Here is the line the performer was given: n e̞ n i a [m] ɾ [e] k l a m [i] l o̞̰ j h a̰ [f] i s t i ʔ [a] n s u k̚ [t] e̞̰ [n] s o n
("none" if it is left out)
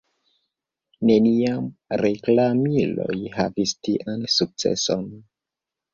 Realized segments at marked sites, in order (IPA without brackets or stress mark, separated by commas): m, e, i, v, a, t͡s, none